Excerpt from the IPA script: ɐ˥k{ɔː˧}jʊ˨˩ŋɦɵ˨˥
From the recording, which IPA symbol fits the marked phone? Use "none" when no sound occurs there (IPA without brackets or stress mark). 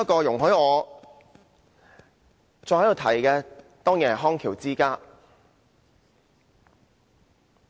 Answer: ɔː˧